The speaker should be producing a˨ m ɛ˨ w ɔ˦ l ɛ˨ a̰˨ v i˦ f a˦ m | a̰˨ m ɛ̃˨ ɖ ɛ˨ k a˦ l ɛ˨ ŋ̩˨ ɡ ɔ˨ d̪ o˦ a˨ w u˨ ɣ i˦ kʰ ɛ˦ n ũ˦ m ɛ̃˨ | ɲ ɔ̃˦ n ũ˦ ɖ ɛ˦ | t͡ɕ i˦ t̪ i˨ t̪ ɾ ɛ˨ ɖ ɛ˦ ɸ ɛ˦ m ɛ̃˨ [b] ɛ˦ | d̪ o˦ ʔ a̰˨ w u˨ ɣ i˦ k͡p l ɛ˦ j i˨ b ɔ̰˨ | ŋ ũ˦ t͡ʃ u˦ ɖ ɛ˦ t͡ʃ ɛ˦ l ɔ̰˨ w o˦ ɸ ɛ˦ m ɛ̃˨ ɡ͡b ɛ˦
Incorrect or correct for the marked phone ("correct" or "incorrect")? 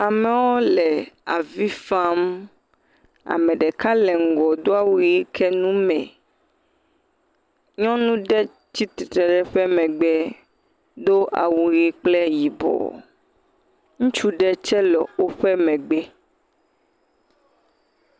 incorrect